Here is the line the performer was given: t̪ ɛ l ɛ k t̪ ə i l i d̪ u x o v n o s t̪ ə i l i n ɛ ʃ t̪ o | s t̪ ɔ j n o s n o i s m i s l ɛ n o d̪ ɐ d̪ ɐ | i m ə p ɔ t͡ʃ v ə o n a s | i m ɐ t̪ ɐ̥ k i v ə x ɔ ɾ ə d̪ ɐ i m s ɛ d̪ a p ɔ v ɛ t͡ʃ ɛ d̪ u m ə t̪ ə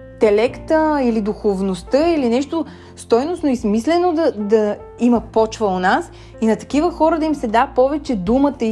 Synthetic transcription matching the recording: t̪ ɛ l ɛ k t̪ ə i l i d̪ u x o v n o s t̪ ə i l i n ɛ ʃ t̪ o | s t̪ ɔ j n o s n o i s m i s l ɛ n o d̪ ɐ d̪ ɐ | i m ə p ɔ t͡ʃ v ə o n a s | i n ɐ t̪ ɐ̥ k i v ə x ɔ ɾ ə d̪ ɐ i m s ɛ d̪ a p ɔ v ɛ t͡ʃ ɛ d̪ u m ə t̪ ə